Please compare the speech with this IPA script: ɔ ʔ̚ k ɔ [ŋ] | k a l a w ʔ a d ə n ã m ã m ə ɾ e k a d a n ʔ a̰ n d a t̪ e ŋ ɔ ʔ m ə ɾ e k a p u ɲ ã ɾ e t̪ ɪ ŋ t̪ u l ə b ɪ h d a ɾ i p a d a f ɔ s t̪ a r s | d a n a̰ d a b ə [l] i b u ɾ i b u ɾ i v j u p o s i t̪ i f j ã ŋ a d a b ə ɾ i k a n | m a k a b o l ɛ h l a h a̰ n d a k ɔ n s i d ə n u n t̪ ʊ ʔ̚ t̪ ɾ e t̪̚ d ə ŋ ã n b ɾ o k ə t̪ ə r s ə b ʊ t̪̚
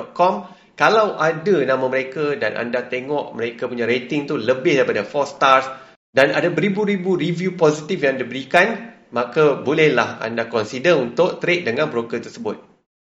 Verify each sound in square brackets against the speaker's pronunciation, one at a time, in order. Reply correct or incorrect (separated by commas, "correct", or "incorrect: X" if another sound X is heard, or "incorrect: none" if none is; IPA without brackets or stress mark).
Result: incorrect: m, incorrect: ɾ